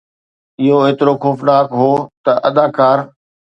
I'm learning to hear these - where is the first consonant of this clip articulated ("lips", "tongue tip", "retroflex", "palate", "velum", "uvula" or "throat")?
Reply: throat